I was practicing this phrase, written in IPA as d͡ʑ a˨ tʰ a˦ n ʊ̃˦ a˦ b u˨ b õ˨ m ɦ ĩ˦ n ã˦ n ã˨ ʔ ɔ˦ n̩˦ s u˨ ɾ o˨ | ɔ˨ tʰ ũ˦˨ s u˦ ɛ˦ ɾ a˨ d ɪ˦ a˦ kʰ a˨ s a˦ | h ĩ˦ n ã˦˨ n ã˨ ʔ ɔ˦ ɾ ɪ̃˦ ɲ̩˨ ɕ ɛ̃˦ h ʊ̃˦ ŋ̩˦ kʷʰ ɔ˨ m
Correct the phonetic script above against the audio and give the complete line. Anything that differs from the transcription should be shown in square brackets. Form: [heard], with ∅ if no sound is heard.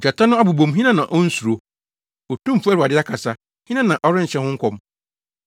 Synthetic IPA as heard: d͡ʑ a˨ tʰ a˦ n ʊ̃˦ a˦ b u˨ b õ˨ m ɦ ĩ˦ n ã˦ n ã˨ ʔ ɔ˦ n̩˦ s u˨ ɾ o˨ | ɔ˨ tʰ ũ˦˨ [f] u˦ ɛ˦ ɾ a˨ d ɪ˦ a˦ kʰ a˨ s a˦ | h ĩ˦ n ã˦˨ n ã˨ ʔ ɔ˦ ɾ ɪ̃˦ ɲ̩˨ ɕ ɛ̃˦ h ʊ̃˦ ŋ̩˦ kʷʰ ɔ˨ m